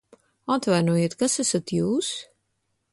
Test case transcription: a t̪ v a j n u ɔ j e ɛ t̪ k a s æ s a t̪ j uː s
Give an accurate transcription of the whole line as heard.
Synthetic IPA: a t̪ v a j n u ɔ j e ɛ t̪ k a s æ s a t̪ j uː s